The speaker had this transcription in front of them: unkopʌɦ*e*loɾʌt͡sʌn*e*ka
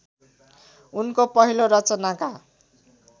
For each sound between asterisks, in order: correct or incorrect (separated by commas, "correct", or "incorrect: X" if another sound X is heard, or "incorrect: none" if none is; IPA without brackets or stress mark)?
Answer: incorrect: i, incorrect: a